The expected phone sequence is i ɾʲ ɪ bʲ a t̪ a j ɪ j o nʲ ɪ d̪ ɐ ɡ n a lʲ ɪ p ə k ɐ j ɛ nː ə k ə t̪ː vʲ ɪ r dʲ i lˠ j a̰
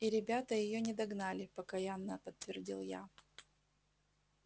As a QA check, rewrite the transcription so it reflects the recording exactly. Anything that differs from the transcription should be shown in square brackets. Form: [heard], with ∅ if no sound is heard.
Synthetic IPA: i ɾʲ ɪ bʲ a t̪ [ə] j ɪ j o nʲ ɪ d̪ ɐ ɡ n a lʲ ɪ p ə k ɐ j [a] nː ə [p] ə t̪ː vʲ ɪ r dʲ i lˠ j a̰